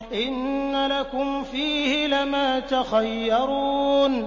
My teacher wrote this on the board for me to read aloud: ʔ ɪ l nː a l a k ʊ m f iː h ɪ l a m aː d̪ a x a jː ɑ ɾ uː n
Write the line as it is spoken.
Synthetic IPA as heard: ʔ ɪ nː a l a k ʊ m f iː h ɪ l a m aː t̪ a x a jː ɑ ɾ uː n

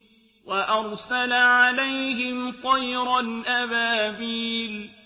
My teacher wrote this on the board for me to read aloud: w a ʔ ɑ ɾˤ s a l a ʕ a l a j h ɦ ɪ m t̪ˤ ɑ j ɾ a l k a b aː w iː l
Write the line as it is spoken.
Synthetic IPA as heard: w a ʔ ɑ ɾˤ s a l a ʕ a l a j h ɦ ɪ m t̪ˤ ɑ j ɾ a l ʔ a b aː b iː l

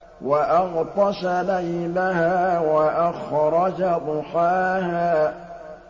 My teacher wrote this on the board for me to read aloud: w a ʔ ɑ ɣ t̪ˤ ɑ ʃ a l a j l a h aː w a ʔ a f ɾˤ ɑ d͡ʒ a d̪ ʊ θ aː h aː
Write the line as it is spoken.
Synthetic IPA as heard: w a ʔ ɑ ɣ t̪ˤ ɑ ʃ a l a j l a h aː w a ʔ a x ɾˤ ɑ d͡ʒ a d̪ ʊ x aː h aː

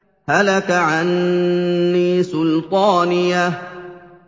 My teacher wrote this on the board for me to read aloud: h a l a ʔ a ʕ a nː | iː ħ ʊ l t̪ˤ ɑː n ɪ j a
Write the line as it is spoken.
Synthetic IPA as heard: h a l a k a ʕ a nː | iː s ʊ l t̪ˤ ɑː n ɪ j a

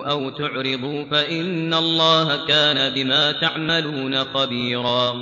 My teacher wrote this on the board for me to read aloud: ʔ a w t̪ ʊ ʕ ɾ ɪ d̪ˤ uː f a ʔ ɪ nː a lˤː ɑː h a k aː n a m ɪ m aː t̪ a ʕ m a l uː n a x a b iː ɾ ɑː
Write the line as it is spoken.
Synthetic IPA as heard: ʔ a w t̪ ʊ ʕ ɾ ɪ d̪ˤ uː f a ʔ ɪ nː a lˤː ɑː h a k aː n a b ɪ m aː t̪ a ʕ m a l uː n a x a b iː ɾ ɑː

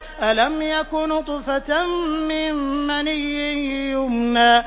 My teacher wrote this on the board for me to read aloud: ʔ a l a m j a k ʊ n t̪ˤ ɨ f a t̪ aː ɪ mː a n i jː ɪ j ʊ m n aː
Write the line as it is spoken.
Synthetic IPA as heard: ʔ a l a m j a k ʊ n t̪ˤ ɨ f a t̪ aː ɪ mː a n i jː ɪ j ʊ m n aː

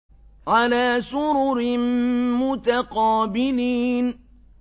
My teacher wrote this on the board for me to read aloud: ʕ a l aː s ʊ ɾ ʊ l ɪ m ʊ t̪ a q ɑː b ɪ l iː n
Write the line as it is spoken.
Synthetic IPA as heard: ʕ a l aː s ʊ ɾ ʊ ɾ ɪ m ʊ t̪ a q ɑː b ɪ l iː n

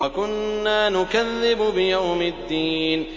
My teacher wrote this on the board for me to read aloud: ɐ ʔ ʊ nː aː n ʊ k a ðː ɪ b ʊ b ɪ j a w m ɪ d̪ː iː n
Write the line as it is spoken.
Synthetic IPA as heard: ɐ k ʊ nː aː n ʊ k a ðː ɪ b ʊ b ɪ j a w m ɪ d̪ː iː n

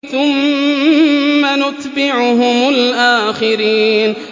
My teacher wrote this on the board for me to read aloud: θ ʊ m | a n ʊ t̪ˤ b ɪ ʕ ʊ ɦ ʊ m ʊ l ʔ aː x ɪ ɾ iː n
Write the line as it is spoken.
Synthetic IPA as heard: θ ʊ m | a n ʊ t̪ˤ b ɪ ʕ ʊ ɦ ʊ m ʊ l ʔ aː x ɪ ɾ iː n

